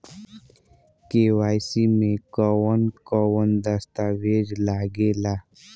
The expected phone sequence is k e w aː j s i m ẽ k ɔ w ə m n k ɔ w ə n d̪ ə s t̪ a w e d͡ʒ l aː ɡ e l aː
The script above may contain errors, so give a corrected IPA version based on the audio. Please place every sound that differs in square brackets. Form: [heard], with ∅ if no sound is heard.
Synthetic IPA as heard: k e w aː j s i m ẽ k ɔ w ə [∅] n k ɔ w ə n d̪ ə s t̪ a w e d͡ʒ l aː ɡ e l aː